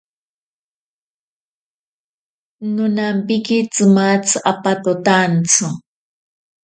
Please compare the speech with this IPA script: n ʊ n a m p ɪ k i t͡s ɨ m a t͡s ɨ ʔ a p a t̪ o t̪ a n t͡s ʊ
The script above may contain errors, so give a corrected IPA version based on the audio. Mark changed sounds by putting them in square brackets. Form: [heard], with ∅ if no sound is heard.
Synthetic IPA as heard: n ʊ n a m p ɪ k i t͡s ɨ m a t͡s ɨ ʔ a p a t̪ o t̪ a n t͡s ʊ